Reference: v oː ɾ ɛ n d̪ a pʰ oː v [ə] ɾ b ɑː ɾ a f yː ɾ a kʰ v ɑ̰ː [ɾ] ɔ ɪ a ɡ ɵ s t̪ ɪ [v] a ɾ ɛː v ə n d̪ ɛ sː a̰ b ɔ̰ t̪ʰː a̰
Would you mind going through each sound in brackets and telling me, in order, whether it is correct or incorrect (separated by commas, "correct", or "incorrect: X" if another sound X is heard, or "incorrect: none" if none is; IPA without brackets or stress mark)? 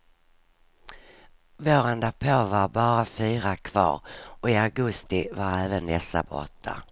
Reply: incorrect: a, correct, correct